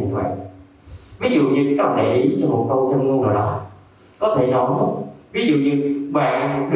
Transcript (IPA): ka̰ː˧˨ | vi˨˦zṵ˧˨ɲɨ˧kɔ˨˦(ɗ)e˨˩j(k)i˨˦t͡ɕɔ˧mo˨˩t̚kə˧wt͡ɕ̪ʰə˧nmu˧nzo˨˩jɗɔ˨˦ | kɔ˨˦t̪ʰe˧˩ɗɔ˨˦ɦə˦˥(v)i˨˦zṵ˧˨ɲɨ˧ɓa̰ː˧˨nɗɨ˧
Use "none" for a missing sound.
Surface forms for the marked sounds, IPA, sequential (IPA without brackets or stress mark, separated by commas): ɗ, ʔ, v